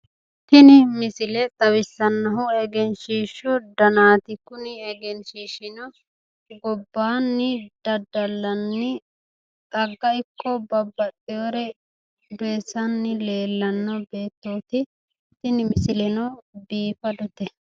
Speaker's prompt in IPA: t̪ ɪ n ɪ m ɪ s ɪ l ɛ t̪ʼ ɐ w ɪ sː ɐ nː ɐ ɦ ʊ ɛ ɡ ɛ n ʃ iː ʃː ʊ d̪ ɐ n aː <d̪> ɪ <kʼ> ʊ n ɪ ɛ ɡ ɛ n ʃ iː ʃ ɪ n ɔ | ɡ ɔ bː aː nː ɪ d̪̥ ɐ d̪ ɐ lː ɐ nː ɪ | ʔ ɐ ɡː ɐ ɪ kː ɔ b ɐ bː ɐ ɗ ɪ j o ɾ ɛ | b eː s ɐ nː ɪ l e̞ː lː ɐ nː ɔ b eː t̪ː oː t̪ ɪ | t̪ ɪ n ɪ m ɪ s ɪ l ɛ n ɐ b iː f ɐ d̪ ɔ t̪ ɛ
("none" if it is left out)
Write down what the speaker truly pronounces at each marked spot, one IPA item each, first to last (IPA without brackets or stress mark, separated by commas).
t̪, k